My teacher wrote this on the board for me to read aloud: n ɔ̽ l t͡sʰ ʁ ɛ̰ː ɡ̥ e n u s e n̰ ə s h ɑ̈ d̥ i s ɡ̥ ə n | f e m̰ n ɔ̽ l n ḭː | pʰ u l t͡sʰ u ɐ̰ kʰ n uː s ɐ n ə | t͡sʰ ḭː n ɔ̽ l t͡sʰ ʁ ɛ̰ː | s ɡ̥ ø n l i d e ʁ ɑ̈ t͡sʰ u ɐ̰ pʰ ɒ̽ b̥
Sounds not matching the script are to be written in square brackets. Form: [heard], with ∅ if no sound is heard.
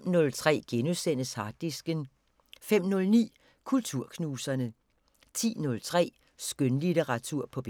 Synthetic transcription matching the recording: n ɔ̽ l t͡sʰ ʁ ɛ̰ː ɡ̥ e n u s e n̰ ə s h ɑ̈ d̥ i s ɡ̥ ə n | f e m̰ n ɔ̽ l n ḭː | [kʰ] u l t͡sʰ u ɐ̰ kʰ n uː s ɐ n ə | t͡sʰ ḭː n ɔ̽ l t͡sʰ ʁ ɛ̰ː | s ɡ̥ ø n l i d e ʁ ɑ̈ t͡sʰ u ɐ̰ pʰ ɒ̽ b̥